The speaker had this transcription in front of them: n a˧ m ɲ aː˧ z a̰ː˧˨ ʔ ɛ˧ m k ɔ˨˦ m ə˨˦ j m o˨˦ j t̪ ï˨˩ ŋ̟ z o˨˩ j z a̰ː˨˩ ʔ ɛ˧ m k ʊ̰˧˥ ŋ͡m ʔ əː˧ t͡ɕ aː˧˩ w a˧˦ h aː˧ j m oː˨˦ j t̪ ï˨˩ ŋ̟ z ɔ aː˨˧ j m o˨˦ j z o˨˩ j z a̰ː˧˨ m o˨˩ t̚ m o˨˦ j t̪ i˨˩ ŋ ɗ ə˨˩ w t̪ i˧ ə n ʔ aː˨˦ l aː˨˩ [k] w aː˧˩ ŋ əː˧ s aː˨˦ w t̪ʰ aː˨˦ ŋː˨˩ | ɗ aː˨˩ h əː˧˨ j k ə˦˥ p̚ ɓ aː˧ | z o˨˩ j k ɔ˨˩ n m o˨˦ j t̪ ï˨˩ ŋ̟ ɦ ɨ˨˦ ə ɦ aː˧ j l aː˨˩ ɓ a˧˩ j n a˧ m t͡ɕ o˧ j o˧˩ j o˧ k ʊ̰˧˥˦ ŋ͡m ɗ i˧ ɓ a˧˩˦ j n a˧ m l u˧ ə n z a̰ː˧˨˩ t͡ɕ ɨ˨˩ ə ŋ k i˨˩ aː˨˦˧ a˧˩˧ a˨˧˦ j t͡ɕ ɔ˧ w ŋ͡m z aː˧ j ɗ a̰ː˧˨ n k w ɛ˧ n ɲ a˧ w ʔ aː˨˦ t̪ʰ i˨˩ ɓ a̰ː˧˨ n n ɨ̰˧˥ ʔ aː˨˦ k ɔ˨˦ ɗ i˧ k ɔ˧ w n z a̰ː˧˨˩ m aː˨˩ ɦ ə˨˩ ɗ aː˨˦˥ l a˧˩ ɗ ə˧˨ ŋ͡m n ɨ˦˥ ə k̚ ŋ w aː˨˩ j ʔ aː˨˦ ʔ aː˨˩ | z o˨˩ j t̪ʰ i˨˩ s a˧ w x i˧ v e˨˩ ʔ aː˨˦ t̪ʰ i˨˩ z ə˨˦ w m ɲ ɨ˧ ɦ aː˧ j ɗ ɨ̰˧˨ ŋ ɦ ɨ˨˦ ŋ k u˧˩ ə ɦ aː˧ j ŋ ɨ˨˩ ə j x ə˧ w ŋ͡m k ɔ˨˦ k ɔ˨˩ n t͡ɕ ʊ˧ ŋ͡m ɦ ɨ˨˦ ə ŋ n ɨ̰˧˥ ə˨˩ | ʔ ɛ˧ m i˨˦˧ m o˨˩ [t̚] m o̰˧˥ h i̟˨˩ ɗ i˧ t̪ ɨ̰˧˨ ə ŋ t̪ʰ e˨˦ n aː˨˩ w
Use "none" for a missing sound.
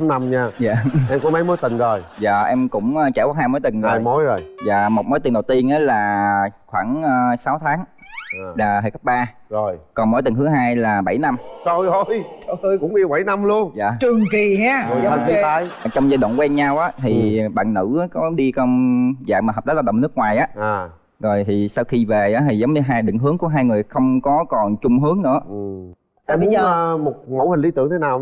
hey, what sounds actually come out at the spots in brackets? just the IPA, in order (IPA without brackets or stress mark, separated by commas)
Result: x, t̚